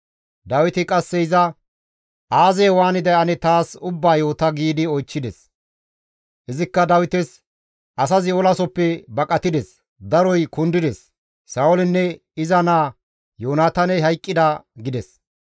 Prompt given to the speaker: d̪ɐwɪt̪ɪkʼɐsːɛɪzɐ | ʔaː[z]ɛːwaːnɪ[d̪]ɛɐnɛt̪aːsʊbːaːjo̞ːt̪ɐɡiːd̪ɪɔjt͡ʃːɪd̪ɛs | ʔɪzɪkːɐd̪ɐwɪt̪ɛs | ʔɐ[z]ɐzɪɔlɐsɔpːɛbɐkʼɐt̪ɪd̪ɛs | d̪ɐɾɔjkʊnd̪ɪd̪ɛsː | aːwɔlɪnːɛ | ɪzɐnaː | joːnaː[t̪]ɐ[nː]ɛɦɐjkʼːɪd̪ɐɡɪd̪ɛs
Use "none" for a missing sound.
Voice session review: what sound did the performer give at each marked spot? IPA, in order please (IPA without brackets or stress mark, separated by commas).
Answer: z, d̪, s, t̪, n